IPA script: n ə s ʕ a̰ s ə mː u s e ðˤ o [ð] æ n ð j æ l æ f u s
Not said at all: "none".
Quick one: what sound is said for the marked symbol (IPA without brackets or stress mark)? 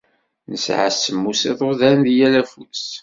ð